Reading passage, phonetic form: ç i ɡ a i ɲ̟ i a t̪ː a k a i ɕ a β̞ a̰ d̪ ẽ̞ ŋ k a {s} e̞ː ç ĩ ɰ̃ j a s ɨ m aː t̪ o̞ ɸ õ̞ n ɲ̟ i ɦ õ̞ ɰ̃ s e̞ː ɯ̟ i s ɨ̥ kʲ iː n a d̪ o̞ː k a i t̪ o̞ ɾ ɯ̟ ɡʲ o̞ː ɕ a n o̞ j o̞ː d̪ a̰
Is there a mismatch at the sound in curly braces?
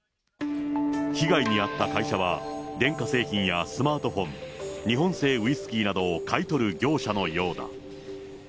no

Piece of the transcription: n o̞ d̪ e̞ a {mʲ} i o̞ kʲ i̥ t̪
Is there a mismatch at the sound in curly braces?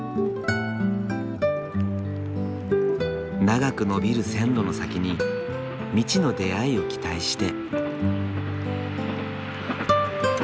yes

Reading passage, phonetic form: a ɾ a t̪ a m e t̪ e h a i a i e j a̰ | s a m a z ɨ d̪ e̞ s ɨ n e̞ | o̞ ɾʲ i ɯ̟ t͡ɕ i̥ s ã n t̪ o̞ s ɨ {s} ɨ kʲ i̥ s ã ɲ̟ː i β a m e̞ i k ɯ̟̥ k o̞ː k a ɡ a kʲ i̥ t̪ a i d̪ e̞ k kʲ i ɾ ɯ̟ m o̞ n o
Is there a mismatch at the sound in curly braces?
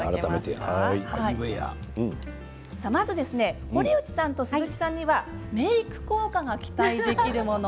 yes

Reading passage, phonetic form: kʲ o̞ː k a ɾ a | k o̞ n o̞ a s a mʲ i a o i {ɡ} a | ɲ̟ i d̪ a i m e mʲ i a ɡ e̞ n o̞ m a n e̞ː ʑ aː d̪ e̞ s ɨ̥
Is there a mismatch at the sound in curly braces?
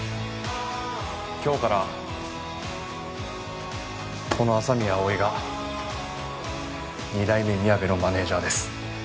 no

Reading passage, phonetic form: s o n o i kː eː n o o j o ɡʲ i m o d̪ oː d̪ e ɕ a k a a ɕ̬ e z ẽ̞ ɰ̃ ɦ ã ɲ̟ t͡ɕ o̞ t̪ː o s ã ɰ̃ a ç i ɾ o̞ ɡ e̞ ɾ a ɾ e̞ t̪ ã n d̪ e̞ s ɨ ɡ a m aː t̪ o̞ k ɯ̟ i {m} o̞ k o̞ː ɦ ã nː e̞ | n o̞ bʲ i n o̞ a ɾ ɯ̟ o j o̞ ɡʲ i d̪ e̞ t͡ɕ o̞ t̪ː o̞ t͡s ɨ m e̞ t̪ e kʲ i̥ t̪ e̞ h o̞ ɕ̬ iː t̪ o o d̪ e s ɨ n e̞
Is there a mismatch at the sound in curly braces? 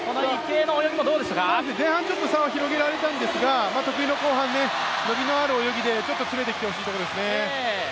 yes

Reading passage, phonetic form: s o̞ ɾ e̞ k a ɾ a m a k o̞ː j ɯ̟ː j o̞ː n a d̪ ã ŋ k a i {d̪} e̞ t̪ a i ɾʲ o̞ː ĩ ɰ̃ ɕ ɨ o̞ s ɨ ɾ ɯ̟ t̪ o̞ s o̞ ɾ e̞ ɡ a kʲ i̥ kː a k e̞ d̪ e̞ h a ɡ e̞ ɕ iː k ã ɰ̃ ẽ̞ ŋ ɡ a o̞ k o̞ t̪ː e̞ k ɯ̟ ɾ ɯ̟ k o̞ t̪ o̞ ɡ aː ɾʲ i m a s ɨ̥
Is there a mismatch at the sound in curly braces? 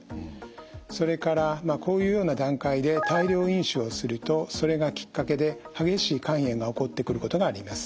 no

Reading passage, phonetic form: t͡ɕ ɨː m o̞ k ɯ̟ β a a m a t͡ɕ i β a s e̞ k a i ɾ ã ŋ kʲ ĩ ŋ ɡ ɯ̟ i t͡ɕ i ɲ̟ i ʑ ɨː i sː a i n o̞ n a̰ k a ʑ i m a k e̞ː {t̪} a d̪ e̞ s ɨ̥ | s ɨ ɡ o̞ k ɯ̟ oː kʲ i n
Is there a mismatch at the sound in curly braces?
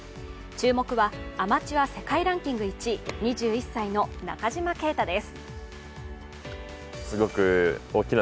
no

